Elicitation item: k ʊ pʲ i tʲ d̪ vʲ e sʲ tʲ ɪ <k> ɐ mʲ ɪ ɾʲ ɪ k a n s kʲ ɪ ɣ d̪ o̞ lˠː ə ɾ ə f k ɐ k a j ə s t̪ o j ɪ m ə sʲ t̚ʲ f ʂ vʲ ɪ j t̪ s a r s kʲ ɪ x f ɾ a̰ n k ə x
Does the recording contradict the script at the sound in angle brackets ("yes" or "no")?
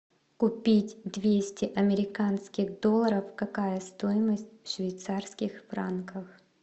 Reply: yes